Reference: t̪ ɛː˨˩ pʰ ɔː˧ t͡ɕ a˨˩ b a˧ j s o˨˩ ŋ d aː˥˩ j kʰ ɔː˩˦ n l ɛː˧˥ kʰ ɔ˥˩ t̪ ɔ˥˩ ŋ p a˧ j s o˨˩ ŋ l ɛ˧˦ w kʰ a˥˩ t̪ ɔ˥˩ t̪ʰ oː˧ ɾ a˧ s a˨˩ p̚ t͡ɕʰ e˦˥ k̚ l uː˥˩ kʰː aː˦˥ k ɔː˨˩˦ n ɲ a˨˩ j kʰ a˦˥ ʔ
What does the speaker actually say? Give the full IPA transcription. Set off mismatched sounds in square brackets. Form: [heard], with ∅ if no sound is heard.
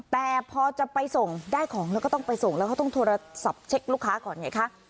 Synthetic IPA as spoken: t̪ ɛː˨˩ pʰ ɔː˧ t͡ɕ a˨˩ [p] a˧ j s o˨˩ ŋ d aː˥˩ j kʰ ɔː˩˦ [ŋ] l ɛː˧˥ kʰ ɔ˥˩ t̪ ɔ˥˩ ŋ p a˧ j s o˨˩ ŋ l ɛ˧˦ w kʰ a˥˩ t̪ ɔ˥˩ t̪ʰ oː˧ ɾ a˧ s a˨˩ p̚ t͡ɕʰ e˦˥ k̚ l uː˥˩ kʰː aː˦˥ k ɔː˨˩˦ n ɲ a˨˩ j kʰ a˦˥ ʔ

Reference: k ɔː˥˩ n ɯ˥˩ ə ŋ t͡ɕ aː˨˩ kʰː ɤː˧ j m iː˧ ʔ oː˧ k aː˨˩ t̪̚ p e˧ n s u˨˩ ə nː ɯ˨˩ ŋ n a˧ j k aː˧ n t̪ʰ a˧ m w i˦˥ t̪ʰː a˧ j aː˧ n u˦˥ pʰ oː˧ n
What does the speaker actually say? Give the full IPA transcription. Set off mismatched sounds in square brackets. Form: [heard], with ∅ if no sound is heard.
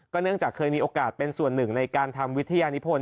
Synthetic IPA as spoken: k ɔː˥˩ n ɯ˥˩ ə ŋ t͡ɕ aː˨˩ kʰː ɤː˧ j m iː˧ ʔ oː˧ k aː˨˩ t̪̚ p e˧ n s u˨˩ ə nː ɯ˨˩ ŋ n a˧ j k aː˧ n t̪ʰ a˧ m w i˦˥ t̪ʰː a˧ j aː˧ n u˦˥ pʰ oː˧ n

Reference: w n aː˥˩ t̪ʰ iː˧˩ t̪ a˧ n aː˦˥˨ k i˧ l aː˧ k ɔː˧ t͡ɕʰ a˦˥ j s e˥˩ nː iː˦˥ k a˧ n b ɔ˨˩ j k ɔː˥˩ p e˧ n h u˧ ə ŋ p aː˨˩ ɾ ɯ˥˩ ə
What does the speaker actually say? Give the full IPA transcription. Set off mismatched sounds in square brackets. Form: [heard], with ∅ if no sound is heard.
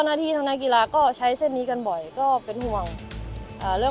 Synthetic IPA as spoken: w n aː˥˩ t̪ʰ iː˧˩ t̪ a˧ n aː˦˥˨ k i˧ l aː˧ k [ɔː˥˩] t͡ɕʰ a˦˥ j s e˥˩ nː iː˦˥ k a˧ n b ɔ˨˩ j k ɔː˥˩ p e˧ n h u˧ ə ŋ [ʔ] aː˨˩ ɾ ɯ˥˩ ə

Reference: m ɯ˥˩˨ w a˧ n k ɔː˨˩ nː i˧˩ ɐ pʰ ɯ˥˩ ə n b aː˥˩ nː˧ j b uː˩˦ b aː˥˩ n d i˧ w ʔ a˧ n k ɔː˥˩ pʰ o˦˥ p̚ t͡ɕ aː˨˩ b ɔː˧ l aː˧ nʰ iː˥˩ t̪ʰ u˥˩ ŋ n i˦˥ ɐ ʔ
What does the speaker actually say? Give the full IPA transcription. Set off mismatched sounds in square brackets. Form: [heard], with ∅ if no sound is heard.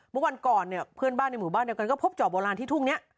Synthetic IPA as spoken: m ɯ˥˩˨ w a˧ n k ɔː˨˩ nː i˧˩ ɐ pʰ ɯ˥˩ ə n b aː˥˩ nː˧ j [m] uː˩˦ b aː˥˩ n d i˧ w [k] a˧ n k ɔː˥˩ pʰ o˦˥ p̚ t͡ɕ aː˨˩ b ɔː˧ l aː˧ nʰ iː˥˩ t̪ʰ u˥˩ ŋ n i˦˥ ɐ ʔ

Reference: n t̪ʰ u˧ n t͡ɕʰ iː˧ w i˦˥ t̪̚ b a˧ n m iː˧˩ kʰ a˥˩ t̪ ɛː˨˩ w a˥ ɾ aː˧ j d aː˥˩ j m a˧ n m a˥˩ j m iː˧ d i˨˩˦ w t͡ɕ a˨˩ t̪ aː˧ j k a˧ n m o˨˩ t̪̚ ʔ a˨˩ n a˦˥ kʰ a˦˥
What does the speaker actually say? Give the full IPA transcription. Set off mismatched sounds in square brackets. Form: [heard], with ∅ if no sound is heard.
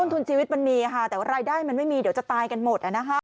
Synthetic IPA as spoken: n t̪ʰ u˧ n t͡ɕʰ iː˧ w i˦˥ t̪̚ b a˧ n m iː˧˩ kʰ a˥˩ t̪ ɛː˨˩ w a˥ ɾ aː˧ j d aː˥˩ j m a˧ n m a˥˩ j m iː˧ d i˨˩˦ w t͡ɕ a˨˩ t̪ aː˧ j k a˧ n m o˨˩ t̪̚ ʔ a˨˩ n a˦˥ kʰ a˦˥

